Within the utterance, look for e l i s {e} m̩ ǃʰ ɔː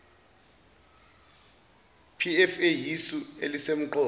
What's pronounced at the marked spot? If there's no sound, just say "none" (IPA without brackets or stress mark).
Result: e